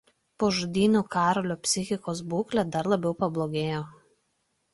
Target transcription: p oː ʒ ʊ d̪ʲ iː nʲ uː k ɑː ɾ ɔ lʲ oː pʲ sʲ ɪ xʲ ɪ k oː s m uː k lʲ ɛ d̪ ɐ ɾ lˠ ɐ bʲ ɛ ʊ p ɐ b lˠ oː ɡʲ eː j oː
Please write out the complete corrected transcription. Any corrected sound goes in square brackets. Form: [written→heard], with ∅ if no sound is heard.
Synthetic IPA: p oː ʒ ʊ d̪ʲ iː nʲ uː k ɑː ɾ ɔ lʲ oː pʲ sʲ ɪ xʲ ɪ k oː s [m→b] uː k lʲ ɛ d̪ ɐ ɾ lˠ ɐ bʲ ɛ ʊ p ɐ b lˠ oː ɡʲ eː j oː